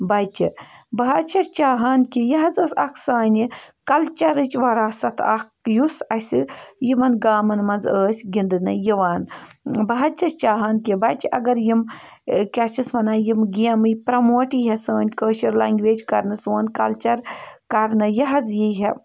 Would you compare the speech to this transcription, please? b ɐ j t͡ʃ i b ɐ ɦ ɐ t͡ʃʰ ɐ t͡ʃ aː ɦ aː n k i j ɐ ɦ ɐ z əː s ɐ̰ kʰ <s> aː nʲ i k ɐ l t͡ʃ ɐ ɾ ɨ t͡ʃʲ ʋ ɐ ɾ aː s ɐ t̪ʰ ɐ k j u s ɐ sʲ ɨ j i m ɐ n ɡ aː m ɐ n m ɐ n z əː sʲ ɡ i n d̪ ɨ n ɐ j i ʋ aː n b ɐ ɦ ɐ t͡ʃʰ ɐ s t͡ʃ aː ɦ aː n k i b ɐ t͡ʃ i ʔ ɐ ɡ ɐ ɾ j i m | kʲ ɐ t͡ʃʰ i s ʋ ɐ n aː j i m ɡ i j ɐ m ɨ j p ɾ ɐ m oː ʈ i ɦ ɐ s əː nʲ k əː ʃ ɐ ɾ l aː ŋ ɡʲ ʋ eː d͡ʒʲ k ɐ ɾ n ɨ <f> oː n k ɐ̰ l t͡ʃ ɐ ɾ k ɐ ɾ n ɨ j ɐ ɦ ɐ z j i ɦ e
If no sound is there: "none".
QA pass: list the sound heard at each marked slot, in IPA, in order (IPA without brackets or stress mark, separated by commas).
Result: s, s